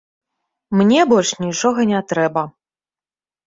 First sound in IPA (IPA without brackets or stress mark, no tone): m